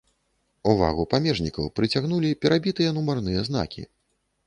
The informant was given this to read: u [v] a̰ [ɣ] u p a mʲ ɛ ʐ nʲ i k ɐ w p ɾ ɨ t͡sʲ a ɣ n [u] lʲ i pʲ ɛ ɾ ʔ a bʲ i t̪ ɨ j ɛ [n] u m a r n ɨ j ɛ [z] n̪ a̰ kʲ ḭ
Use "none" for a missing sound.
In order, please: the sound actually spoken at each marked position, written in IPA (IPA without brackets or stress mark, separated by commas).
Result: v, ɣ, u, n, z